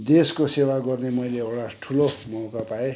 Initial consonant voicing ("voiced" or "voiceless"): voiced